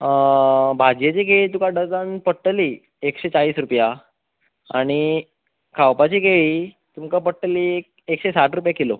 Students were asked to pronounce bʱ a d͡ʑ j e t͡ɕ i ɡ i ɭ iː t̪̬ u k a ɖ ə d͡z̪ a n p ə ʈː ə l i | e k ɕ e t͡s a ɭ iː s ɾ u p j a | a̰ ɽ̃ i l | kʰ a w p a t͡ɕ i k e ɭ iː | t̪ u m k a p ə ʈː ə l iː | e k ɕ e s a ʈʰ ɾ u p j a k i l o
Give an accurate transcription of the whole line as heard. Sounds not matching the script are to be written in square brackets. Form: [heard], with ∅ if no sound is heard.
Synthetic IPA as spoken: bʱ a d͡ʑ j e t͡ɕ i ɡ [e] ɭ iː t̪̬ u k a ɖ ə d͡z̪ a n p ə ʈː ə l i | e k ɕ e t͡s a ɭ iː s ɾ u p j a | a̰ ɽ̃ i [∅] | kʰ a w p a t͡ɕ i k e ɭ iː | t̪ u m k a p ə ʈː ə l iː | e k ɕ e s a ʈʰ ɾ u p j a k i l o